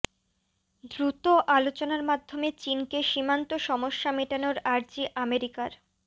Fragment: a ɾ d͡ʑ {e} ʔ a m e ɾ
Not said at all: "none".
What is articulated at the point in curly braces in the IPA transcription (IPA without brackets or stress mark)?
i